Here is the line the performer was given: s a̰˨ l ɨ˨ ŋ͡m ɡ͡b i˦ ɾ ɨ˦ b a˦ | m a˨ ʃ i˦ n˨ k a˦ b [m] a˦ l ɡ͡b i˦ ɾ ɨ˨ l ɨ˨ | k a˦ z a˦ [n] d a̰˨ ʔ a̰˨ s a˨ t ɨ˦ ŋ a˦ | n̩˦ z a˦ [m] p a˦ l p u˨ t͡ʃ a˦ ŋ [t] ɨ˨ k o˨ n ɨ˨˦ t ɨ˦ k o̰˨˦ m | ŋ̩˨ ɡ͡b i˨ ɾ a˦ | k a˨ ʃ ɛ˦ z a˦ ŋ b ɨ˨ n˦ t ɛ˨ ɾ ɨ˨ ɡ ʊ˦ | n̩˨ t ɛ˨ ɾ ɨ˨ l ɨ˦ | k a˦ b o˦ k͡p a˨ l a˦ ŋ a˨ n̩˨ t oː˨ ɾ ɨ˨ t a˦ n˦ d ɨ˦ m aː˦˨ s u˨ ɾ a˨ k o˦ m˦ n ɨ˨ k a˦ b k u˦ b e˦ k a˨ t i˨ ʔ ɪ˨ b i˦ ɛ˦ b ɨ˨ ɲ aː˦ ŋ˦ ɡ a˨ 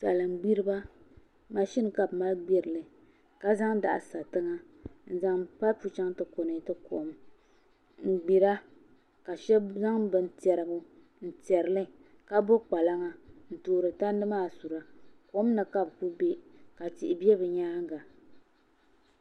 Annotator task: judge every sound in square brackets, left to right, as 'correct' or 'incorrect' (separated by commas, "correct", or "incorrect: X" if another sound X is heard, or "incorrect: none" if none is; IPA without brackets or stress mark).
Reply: correct, incorrect: ŋ, incorrect: ŋ, correct